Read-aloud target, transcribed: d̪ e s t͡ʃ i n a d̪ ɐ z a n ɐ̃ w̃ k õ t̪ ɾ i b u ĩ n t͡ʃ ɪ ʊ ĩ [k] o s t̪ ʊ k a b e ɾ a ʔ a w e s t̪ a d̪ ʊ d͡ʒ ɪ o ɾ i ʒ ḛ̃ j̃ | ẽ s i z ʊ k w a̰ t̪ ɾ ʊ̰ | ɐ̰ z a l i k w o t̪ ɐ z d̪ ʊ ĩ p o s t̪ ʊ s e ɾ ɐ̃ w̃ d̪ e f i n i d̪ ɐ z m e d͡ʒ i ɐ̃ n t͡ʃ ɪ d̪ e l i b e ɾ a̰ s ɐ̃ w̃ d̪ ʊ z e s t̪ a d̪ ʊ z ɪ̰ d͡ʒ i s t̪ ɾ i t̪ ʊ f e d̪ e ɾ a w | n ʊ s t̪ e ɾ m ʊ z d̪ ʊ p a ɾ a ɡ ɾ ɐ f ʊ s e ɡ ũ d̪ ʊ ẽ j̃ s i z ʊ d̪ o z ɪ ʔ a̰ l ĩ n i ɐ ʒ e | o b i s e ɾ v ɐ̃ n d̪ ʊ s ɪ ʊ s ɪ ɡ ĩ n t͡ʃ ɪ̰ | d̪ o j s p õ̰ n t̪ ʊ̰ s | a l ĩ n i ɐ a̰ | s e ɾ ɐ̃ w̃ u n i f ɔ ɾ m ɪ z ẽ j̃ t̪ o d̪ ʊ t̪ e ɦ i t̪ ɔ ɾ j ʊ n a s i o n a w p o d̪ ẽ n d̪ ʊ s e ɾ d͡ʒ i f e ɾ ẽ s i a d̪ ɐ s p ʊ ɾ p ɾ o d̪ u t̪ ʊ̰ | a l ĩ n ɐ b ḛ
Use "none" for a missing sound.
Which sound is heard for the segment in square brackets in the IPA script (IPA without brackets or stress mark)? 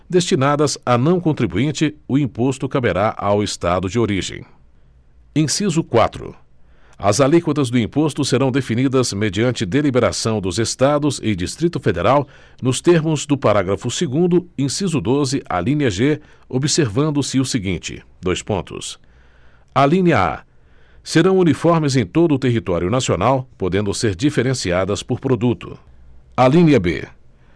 p